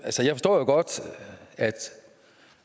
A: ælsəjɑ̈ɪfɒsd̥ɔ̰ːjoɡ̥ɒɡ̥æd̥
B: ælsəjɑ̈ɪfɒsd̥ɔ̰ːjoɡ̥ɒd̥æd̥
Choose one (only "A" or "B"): B